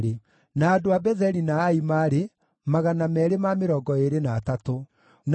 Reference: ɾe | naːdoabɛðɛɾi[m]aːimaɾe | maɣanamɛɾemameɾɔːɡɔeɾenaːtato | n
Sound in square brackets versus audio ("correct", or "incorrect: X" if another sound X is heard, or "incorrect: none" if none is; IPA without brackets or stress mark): incorrect: n